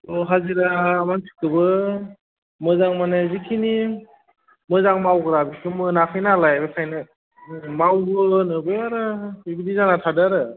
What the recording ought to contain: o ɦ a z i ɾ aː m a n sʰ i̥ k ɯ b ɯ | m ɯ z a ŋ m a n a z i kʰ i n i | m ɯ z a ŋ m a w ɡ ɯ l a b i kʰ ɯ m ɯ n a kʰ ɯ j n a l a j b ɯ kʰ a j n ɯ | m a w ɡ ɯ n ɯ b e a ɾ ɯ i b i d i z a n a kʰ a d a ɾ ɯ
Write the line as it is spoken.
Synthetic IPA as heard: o ɦ a z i ɾ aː m a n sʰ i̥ k ɯ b ɯ | m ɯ z a ŋ m a n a z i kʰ i n i | m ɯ z a ŋ m a w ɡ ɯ ɾ a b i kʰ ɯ m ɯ n a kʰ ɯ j n a l a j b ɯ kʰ a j n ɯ | m a w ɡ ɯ n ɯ b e a ɾ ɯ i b i d i z a n a tʰ a d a ɾ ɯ